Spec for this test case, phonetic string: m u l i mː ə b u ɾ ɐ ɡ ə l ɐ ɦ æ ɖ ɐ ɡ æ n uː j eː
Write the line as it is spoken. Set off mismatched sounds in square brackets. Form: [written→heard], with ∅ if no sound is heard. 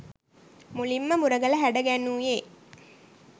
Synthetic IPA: m u l i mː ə [b→m] u ɾ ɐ ɡ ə l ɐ ɦ æ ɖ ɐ ɡ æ n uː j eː

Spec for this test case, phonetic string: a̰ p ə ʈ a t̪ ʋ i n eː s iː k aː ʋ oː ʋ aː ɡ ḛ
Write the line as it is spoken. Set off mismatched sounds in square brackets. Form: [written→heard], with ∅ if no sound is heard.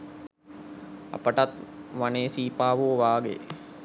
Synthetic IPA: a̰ p ə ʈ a t̪ ʋ [i→a] n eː s iː [k→p] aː ʋ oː ʋ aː ɡ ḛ

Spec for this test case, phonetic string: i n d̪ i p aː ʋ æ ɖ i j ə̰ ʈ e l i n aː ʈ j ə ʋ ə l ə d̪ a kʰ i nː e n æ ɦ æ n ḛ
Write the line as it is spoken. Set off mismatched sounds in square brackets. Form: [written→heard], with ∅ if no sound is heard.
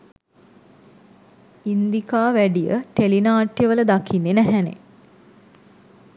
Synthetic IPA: i n d̪ i [p→k] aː ʋ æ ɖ i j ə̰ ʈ e l i n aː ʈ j ə ʋ ə l ə d̪ a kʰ i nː e n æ ɦ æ n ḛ

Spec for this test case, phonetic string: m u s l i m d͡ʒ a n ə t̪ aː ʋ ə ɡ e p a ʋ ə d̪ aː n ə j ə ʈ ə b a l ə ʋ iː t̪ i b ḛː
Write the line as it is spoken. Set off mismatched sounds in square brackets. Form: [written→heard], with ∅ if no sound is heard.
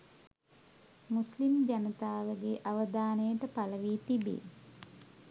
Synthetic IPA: m u s l i m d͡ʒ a n ə t̪ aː ʋ ə ɡ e [p→ʔ] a ʋ ə d̪ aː n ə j ə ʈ ə [b→p] a l ə ʋ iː t̪ i b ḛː

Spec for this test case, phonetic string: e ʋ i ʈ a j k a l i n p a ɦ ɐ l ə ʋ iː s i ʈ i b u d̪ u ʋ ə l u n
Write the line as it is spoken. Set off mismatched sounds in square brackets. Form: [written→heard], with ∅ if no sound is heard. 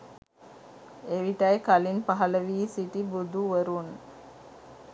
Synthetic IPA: e ʋ i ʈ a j k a l i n p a ɦ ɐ l ə ʋ iː s i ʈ i b u d̪ u ʋ ə [l→ɾ] u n

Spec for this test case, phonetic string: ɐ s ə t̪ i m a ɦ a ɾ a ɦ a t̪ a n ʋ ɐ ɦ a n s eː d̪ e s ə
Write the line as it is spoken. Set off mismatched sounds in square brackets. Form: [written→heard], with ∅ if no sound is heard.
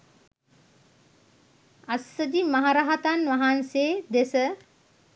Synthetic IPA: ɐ s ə [t̪→d̪] i m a ɦ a ɾ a ɦ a t̪ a n ʋ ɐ ɦ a n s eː d̪ e s ə

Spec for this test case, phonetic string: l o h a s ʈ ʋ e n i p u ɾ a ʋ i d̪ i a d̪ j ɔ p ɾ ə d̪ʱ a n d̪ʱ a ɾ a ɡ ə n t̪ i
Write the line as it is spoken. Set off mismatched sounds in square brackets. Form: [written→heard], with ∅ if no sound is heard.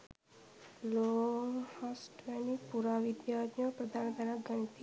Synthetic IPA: l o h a s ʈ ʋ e n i p u ɾ a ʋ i d̪ [i→j] a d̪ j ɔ p ɾ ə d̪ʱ a n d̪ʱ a ɾ a ɡ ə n t̪ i

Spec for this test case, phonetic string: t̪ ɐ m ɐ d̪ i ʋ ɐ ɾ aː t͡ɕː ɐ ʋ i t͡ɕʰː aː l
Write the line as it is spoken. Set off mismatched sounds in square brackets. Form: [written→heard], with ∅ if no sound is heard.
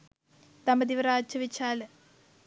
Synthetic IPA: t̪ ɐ m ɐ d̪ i ʋ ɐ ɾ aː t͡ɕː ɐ ʋ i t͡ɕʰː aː l

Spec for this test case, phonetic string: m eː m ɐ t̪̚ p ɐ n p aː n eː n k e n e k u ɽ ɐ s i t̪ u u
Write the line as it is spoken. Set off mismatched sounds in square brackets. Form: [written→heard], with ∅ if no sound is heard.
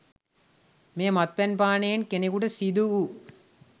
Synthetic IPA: m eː m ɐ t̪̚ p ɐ n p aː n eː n k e n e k u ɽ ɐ s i [t̪→d̪] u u

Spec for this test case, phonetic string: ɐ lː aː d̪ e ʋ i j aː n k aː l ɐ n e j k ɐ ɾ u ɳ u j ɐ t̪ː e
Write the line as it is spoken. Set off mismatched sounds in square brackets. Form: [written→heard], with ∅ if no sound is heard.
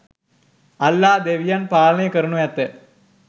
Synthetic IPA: ɐ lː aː d̪ e ʋ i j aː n [k→p] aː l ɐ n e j k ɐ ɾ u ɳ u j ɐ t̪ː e

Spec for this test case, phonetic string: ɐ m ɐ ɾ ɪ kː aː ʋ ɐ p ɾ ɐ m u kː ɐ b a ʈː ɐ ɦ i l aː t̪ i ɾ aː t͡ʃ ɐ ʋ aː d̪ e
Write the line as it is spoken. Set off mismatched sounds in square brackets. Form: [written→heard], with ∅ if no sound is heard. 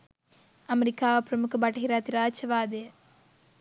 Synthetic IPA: ɐ m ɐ ɾ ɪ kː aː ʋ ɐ p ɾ ɐ m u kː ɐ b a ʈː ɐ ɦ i [l→ɾ] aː t̪ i ɾ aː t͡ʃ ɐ ʋ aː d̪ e

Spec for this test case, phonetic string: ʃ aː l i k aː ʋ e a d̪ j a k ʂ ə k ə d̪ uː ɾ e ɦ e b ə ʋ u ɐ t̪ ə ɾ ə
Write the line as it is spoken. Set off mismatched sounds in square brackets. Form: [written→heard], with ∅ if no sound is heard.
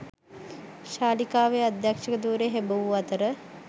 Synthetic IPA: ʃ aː l i k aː ʋ e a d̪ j a k ʂ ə k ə d̪ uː ɾ e ɦ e b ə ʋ u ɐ t̪ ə ɾ ə

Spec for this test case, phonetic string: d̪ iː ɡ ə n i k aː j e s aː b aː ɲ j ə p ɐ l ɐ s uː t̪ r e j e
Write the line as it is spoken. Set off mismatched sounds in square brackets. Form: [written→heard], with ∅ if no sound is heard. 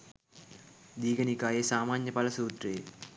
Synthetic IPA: d̪ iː ɡ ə n i k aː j e s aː [b→m] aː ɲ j ə p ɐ l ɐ s uː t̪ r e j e

